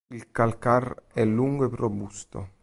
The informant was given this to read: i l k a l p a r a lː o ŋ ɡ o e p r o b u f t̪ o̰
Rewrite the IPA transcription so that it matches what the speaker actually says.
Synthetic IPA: i l k a l k a r ɛ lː u ŋ ɡ o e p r o b u s t̪ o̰